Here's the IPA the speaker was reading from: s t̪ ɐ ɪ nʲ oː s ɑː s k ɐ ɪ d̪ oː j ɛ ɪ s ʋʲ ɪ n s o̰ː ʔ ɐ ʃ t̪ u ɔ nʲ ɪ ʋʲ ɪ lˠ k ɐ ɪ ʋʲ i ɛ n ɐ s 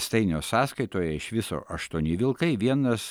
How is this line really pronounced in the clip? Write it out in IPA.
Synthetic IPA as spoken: s t̪ ɐ ɪ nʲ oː s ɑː s k ɐ ɪ t̪ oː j ɛ ɪ ʃ ʋʲ ɪ s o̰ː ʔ ɐ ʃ t̪ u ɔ nʲ ɪ ʋʲ ɪ lˠ k ɐ ɪ ʋʲ i ɛ n ɐ s